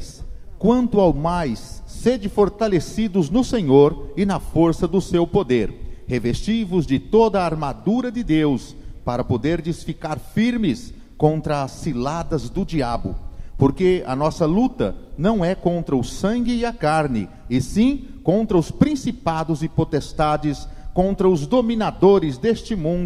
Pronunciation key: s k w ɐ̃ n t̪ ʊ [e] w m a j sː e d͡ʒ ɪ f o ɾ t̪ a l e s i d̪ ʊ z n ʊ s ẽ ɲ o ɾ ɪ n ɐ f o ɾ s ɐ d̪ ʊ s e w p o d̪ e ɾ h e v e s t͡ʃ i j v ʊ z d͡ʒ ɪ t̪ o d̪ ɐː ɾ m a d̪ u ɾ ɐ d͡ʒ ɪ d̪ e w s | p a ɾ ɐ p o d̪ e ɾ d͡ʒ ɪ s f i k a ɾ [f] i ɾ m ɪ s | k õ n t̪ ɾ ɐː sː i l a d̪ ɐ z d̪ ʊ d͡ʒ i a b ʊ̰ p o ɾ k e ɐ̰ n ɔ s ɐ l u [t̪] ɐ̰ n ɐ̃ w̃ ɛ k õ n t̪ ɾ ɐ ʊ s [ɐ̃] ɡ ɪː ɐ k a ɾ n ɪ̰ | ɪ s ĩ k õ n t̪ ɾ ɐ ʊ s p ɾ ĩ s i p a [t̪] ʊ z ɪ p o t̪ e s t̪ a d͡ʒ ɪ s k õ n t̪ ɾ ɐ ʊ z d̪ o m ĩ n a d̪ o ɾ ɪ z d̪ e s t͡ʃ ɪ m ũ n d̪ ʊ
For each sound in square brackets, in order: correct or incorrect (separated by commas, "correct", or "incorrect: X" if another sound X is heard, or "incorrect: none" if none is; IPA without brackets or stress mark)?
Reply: incorrect: a, correct, correct, correct, incorrect: d̪